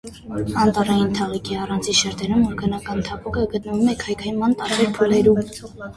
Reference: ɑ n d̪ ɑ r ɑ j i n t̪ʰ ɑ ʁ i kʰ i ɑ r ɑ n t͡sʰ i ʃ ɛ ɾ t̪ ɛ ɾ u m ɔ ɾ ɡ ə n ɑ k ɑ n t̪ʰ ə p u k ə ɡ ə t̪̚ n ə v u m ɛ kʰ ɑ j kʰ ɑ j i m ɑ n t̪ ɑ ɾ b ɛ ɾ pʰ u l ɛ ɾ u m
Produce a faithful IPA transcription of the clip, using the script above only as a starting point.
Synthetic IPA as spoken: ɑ n t̪ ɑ r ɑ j i n t̪ʰ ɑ ʁ i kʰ i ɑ r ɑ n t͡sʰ i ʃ ɛ ɾ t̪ ɛ ɾ u m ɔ ɾ ɡ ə n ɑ k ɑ n t̪ʰ ɑ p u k ə ɡ ə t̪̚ n ə v u m ɛ kʰ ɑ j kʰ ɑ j i m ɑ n t̪ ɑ ɾ b ɛ ɾ pʰ u l ɛ ɾ u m